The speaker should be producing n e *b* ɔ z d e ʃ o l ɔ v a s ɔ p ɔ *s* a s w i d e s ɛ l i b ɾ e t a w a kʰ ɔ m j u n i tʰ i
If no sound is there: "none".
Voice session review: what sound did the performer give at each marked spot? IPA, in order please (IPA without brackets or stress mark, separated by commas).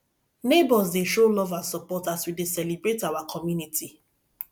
b, t